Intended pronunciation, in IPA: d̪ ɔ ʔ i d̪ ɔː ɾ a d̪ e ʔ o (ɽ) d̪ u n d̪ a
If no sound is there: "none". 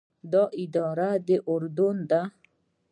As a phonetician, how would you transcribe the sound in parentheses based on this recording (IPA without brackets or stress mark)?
ɾ